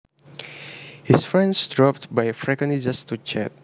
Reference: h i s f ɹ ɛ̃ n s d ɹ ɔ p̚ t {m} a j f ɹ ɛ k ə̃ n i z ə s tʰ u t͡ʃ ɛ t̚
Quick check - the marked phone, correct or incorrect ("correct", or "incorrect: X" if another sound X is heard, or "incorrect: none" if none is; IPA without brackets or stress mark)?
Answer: incorrect: b